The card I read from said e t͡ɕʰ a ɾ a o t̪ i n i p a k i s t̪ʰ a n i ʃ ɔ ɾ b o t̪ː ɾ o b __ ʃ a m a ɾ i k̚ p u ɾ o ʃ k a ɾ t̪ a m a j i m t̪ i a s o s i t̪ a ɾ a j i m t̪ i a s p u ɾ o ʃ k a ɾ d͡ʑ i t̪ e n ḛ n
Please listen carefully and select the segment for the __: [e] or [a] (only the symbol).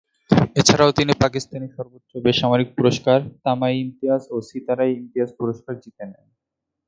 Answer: e